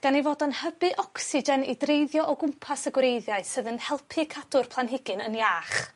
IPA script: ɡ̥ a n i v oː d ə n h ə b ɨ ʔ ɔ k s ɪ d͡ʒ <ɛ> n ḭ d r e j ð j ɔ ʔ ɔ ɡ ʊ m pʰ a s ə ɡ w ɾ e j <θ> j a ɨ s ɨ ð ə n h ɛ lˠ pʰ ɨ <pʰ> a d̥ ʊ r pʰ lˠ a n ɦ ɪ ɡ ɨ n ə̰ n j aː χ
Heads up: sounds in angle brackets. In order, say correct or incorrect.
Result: correct, incorrect, incorrect

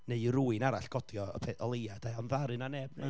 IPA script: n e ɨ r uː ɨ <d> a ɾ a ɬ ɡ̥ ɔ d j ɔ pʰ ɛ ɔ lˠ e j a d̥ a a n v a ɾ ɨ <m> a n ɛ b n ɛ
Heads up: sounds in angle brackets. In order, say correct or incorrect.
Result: incorrect, incorrect

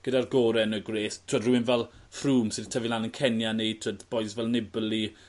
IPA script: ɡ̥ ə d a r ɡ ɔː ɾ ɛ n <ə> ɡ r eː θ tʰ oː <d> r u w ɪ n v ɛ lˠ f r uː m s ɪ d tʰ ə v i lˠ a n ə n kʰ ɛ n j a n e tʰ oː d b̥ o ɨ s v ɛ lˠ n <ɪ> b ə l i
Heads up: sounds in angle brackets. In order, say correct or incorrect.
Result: correct, correct, correct

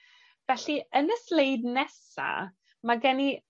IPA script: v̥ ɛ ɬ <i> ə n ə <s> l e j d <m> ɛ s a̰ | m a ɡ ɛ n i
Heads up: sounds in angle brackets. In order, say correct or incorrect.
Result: correct, correct, incorrect

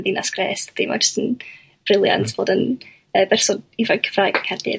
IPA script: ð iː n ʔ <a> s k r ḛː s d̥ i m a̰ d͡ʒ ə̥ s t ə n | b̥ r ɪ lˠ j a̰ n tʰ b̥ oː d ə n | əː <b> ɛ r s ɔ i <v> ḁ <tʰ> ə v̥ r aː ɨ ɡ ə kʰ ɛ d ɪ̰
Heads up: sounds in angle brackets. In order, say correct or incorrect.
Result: correct, correct, correct, incorrect

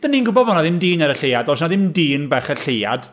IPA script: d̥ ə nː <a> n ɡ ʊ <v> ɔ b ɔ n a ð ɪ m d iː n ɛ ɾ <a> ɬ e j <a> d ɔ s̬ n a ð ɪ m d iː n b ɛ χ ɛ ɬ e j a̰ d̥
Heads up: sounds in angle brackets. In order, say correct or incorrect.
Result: incorrect, incorrect, incorrect, correct

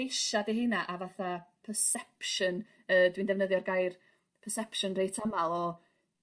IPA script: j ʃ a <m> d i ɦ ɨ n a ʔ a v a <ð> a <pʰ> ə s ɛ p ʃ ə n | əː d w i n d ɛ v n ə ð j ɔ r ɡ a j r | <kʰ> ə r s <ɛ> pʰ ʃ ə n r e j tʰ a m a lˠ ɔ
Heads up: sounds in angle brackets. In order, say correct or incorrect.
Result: incorrect, incorrect, correct, incorrect, correct

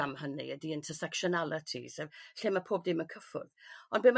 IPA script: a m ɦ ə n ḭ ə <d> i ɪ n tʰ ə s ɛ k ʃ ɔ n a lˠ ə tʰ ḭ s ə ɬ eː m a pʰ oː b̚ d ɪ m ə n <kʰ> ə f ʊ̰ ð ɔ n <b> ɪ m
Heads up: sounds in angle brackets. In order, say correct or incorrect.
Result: correct, correct, correct

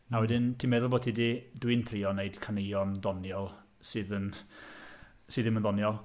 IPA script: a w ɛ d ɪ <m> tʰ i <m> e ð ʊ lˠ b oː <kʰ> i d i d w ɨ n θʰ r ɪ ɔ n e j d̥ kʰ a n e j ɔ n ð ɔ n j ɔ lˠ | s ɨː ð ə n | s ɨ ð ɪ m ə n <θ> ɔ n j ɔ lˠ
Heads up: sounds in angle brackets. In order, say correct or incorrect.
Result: incorrect, correct, incorrect, incorrect

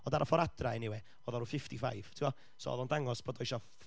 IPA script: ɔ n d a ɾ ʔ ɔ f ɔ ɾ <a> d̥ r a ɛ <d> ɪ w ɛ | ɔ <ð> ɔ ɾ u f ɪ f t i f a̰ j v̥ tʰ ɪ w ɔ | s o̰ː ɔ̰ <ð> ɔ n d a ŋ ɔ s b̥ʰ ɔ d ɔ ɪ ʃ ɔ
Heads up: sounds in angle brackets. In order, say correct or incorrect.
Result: correct, incorrect, correct, correct

